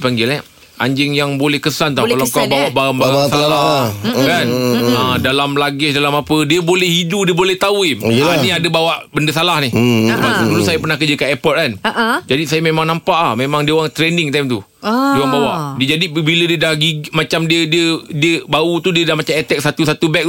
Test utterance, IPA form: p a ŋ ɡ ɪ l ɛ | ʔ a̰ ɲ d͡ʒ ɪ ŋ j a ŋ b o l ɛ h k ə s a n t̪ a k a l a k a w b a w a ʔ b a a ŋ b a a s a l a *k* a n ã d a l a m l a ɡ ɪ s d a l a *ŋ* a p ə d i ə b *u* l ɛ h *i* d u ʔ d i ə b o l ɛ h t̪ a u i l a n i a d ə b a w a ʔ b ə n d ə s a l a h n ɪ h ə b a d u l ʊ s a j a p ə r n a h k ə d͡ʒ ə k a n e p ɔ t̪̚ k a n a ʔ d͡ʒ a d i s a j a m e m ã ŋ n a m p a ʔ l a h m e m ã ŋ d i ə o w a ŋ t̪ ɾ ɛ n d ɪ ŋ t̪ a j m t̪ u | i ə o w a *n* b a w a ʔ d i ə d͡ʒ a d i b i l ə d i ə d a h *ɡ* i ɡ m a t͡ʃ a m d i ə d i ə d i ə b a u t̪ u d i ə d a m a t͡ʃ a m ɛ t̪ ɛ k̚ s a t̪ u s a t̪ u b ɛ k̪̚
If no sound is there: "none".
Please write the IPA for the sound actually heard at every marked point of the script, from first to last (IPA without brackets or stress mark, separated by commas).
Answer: k, m, o, i, ŋ, ɡ